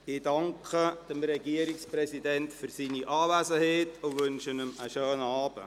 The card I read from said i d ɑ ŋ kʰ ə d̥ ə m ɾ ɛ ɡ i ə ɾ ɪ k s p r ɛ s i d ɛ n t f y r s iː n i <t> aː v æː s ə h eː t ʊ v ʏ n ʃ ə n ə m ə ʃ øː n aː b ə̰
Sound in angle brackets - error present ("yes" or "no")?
yes